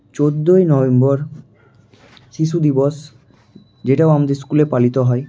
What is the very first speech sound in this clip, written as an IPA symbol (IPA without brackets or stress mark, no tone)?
t͡ɕ